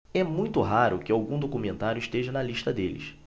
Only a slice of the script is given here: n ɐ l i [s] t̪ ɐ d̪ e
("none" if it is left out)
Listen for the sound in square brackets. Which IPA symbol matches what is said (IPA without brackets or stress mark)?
ʃ